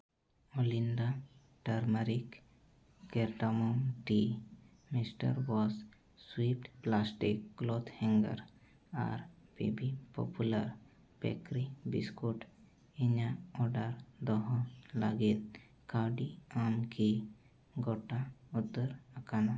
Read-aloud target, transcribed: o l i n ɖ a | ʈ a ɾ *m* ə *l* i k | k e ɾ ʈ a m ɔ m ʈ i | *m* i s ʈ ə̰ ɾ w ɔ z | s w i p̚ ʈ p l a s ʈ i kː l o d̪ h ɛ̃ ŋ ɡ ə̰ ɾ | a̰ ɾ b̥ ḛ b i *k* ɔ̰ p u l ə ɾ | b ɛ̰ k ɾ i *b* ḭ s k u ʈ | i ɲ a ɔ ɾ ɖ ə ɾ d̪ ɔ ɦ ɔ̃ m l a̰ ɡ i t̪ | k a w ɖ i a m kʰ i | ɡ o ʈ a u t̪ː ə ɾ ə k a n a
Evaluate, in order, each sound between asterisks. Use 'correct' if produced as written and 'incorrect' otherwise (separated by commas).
correct, incorrect, correct, incorrect, correct